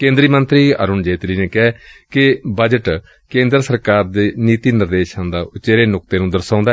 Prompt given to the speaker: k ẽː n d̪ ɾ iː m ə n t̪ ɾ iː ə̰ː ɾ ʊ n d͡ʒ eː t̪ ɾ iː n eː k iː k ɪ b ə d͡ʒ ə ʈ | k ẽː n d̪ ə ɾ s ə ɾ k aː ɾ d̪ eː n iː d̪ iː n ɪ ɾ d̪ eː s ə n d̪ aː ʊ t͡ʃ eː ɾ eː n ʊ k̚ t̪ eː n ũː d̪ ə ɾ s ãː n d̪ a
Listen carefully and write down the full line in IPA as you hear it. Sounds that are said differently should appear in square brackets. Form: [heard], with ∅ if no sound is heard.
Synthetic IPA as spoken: k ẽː n d̪ ɾ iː m ə n t̪ ɾ iː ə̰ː ɾ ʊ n d͡ʒ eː t̪ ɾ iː n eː k [ɛː] k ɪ b ə d͡ʒ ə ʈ | k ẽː n d̪ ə ɾ s ə ɾ k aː ɾ d̪ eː n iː [t̪] iː n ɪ ɾ d̪ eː [ʃ] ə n d̪ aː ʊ t͡ʃ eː ɾ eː n ʊ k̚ t̪ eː n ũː d̪ ə ɾ s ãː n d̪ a